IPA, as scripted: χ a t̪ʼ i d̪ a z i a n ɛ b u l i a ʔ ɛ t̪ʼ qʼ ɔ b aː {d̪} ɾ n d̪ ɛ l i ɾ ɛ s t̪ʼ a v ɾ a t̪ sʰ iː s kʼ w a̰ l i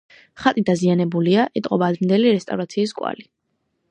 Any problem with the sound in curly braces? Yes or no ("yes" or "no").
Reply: no